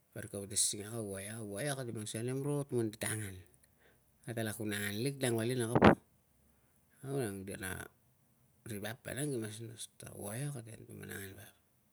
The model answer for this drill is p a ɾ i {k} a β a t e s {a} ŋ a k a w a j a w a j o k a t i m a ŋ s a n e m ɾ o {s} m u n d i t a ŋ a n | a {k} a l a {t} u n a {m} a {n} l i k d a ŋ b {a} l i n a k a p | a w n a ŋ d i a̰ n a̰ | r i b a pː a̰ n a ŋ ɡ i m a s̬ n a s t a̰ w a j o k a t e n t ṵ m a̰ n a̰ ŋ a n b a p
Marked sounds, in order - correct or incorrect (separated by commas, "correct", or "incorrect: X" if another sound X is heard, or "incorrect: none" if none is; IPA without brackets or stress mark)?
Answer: correct, incorrect: i, incorrect: t, incorrect: t, incorrect: k, incorrect: ŋ, correct, correct